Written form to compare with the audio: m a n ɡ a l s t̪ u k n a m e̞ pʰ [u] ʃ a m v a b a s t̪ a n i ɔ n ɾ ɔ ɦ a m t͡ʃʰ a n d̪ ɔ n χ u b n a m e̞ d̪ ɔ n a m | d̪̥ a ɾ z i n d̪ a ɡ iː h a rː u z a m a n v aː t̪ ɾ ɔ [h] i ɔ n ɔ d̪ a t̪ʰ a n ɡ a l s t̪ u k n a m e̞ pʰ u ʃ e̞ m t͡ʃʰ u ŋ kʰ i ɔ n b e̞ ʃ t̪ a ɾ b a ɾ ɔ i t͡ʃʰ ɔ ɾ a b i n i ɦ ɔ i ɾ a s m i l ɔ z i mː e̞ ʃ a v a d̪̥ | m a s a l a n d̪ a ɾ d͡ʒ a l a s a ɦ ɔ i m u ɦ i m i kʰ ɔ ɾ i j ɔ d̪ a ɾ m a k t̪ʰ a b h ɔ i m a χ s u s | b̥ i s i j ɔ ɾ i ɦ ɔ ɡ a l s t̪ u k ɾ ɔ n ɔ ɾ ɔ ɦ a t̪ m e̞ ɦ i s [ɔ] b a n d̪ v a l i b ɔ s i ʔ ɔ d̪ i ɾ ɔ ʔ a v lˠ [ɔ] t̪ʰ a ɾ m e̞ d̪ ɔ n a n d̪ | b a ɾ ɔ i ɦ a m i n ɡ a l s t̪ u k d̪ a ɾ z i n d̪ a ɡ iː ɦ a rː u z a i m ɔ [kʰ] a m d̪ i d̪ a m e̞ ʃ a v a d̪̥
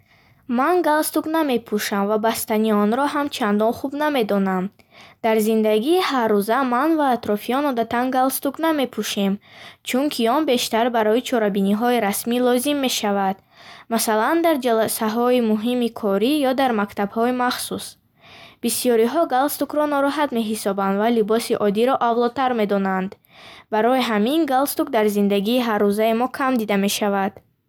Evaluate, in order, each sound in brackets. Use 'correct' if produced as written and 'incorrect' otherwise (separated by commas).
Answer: correct, incorrect, correct, correct, correct